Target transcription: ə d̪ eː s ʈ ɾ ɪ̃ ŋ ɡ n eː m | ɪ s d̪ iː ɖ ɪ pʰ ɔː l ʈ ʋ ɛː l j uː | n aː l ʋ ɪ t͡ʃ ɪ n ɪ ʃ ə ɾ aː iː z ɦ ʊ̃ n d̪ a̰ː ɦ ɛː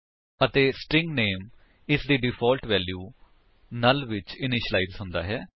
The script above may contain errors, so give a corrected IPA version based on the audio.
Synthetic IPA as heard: ə t̪ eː s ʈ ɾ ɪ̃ ŋ ɡ n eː m | ɪ s d̪ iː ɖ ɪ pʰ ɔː l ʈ ʋ ɛː l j uː | n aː l ʋ ɪ t͡ʃ ɪ n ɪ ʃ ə l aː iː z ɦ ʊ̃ n d̪ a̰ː ɦ ɛː